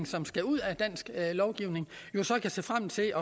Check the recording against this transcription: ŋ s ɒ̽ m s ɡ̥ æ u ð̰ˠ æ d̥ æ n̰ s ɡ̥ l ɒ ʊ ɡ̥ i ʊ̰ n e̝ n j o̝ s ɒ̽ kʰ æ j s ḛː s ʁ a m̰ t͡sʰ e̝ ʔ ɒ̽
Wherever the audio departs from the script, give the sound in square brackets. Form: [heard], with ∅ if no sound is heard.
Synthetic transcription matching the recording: ŋ s ɒ̽ m s ɡ̥ æ u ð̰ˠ æ d̥ æ n̰ s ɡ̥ l ɒ ʊ ɡ̥ i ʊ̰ n e̝ [ŋ] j o̝ s ɒ̽ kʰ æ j s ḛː [f] ʁ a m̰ t͡sʰ e̝ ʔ ɒ̽

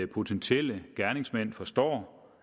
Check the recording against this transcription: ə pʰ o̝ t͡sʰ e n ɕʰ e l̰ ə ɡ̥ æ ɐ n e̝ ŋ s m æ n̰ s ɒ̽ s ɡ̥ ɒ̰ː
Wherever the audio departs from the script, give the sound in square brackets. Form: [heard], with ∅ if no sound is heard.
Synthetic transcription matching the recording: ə pʰ o̝ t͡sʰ e n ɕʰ e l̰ ə ɡ̥ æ ɐ n e̝ ŋ s m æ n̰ [f] ɒ̽ s [d̥] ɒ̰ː

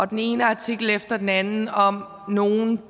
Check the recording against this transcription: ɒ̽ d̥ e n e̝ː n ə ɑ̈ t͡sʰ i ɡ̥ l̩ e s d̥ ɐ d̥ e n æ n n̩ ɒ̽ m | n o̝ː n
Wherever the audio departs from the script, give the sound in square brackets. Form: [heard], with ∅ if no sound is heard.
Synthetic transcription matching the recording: ɒ̽ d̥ e n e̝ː n ə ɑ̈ t͡sʰ i ɡ̥ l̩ e [f] d̥ ɐ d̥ e n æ n n̩ ɒ̽ m | n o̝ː n

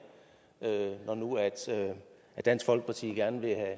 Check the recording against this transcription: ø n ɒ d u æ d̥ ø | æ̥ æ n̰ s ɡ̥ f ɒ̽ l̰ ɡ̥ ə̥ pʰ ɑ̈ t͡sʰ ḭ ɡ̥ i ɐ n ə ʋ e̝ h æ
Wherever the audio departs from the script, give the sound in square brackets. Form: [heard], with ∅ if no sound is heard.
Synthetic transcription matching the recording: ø n ɒ [n] u æ d̥ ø | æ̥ æ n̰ s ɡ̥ f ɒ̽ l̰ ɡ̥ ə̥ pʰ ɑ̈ t͡sʰ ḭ ɡ̥ [æ] ɐ n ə ʋ e̝ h æ

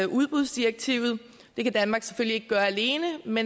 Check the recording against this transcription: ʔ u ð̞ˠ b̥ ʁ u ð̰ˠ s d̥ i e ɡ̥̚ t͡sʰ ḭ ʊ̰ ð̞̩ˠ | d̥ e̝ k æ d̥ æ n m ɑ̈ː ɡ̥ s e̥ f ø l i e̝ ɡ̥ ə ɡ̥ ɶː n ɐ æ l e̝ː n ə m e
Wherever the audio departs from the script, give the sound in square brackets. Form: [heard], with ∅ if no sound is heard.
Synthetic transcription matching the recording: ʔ u ð̞ˠ b̥ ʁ u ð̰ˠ s d̥ i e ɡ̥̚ t͡sʰ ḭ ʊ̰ ð̞̩ˠ | d̥ e̝ k æ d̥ æ n m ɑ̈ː ɡ̥ s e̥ f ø l i e̝ ɡ̥ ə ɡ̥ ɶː [∅] ɐ æ l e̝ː n ə m e

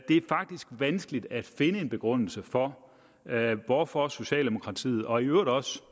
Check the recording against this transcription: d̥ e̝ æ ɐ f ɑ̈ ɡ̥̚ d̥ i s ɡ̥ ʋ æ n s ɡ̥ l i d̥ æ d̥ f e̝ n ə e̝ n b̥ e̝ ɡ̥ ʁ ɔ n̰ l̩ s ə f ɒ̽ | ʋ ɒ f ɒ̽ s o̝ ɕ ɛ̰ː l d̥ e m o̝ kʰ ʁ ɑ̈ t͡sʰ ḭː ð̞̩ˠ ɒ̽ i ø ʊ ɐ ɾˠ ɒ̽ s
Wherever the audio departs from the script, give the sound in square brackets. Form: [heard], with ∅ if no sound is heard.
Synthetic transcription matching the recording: d̥ e̝ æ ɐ f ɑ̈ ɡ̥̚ d̥ i s ɡ̥ ʋ æ n s ɡ̥ l i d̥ æ d̥ f e̝ n ə e̝ n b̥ e̝ ɡ̥ ʁ ɔ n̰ l̩ s ə f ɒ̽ | ʋ ɒ f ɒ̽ s o̝ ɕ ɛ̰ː l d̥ e m o̝ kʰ ʁ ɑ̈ t͡sʰ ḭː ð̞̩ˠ ɒ̽ i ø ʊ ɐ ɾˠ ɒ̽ s

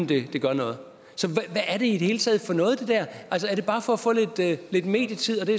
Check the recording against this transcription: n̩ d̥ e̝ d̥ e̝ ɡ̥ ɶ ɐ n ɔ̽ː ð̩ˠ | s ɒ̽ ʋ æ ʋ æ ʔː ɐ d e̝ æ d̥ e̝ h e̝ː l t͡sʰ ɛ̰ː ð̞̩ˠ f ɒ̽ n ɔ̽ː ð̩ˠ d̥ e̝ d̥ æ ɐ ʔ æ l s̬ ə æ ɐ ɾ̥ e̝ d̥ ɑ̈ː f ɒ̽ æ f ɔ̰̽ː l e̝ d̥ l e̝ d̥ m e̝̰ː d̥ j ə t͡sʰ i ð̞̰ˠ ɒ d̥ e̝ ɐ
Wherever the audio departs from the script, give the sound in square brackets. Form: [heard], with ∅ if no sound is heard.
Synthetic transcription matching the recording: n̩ d̥ e̝ d̥ e̝ ɡ̥ ɶ ɐ n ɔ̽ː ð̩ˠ | s ɒ̽ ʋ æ ʋ æ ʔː ɐ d e̝ [i] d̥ e̝ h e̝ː l t͡sʰ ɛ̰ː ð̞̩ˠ f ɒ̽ n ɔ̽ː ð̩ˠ d̥ e̝ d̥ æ ɐ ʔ æ l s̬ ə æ ɐ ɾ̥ e̝ [b̥] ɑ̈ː f ɒ̽ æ f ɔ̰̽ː l e̝ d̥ l e̝ d̥ m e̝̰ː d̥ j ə t͡sʰ i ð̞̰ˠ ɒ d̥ e̝ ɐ

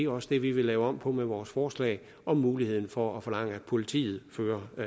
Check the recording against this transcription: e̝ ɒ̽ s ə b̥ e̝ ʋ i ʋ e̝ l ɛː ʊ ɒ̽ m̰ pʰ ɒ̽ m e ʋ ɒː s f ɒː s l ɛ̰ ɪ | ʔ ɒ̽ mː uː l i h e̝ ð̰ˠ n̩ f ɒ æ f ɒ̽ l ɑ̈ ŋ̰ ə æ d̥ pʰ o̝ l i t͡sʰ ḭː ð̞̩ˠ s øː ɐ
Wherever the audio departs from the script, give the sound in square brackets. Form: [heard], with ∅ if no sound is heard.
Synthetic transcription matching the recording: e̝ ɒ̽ s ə [d̥] e̝ ʋ i ʋ e̝ l ɛː ʊ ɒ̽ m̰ pʰ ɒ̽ m e ʋ ɒː s f ɒː s l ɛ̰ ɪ | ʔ ɒ̽ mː uː l i h e̝ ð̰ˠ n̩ f ɒ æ f ɒ̽ l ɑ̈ ŋ̰ ə æ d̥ pʰ o̝ l i t͡sʰ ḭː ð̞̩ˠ [f] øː ɐ

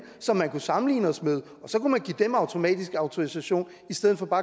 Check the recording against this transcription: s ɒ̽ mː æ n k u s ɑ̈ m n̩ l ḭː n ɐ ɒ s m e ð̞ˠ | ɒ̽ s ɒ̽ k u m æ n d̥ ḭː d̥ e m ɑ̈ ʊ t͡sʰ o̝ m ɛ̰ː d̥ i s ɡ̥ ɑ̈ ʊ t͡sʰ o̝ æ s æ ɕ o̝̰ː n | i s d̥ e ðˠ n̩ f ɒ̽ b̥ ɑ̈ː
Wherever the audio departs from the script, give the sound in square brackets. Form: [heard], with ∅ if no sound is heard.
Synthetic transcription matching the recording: s ɒ̽ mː æ n k u s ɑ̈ m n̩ l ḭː n [ə] ɒ s m e ð̞ˠ | ɒ̽ s ɒ̽ k u m æ n [ɡ̥] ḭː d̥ e m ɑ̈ ʊ t͡sʰ o̝ m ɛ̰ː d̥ i s ɡ̥ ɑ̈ ʊ t͡sʰ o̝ [i] s æ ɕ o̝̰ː n | i s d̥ e ðˠ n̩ f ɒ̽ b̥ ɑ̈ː

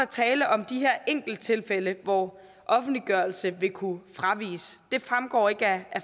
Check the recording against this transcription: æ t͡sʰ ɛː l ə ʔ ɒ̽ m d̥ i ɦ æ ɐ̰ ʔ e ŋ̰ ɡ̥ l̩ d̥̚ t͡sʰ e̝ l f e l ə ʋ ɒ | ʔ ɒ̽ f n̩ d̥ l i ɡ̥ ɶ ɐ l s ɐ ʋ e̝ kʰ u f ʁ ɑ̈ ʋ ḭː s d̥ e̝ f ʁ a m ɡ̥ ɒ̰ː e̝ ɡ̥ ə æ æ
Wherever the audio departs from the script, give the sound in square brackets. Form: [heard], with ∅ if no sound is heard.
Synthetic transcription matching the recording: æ t͡sʰ ɛː l ə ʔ ɒ̽ m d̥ i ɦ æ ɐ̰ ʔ e ŋ̰ ɡ̥ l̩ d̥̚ t͡sʰ e̝ l f e l ə ʋ ɒ | ʔ ɒ̽ f n̩ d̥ l i ɡ̥ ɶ ɐ l s [ə] ʋ e̝ kʰ u f ʁ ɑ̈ ʋ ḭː s d̥ e̝ f ʁ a m ɡ̥ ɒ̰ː e̝ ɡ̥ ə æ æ

